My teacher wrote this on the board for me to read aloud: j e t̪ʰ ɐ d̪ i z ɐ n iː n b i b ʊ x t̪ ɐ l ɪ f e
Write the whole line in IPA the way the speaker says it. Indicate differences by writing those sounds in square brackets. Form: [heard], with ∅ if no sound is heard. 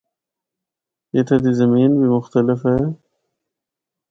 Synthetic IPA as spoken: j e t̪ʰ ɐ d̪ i z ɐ [m] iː n b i [m] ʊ x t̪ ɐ l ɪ f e